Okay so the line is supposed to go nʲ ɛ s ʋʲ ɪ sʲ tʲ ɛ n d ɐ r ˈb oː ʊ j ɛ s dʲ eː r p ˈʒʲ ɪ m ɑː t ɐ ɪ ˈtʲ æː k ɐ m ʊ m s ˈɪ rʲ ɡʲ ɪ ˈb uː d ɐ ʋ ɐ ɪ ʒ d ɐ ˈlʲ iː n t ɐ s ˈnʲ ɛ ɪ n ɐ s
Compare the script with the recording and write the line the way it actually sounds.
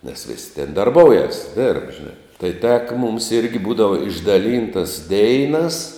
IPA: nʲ ɛ s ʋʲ ɪ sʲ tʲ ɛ n d ɐ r ˈb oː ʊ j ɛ s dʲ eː r p ˈʒʲ ɪ n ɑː t ɐ ɪ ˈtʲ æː k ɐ m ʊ m s ˈɪ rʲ ɡʲ ɪ ˈb uː d ɐ ʋ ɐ ɪ ʒ d ɐ ˈlʲ iː n t ɐ s ˈdʲ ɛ ɪ n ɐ s